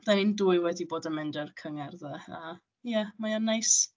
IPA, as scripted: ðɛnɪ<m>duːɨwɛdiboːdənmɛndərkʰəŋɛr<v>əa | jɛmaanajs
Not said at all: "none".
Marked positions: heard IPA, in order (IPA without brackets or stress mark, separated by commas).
n, ð